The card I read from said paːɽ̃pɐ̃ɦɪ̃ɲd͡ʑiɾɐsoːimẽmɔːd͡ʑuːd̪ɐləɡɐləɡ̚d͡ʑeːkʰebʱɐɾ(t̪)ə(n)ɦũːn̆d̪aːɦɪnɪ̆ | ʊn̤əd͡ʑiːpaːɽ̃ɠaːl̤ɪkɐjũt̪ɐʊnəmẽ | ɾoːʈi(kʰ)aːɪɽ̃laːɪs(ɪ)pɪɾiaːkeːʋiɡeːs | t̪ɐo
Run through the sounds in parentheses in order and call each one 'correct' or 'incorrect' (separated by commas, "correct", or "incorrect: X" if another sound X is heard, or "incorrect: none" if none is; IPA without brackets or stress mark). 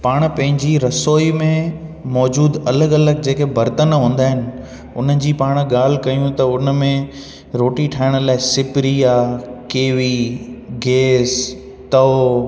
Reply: correct, correct, incorrect: ʈʰ, correct